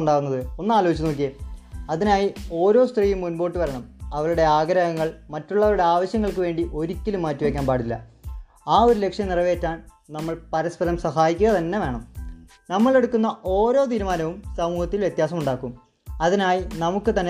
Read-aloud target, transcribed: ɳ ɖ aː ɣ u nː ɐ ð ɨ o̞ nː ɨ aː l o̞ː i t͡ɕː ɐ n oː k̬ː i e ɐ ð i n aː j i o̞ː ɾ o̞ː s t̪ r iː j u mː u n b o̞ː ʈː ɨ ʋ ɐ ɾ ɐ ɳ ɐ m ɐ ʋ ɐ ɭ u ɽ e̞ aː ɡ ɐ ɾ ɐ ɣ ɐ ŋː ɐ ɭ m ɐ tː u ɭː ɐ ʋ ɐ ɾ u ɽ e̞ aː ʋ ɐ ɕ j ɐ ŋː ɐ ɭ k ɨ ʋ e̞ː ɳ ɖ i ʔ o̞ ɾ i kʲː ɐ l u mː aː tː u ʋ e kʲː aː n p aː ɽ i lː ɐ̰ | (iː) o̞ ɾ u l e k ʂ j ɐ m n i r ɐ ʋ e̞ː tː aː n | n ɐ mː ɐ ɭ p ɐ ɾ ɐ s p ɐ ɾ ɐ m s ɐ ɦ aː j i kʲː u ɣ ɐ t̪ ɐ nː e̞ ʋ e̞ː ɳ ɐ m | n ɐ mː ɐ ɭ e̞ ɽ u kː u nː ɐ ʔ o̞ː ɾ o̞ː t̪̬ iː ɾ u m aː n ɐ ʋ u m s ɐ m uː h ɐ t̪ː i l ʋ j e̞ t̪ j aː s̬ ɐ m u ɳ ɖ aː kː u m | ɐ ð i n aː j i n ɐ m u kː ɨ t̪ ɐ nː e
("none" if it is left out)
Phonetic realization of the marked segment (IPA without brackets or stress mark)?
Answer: aː